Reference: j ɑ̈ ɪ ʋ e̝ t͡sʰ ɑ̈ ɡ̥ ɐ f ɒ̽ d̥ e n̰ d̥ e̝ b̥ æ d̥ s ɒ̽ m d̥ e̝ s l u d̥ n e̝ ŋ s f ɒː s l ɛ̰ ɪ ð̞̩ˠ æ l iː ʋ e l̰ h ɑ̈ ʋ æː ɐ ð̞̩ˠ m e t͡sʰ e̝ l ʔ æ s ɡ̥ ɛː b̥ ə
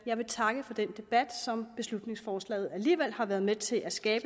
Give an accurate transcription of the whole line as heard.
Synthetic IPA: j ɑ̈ ɪ ʋ e̝ t͡sʰ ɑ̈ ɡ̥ ə f ɒ̽ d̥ e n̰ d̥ e̝ b̥ æ d̥ s ɒ̽ m b̥ e̝ s l u d̥ n e̝ ŋ s f ɒː s l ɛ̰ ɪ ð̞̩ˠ æ l iː ʋ e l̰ h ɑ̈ ʋ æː ɐ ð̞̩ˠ m e t͡sʰ e̝ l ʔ æ s ɡ̥ ɛː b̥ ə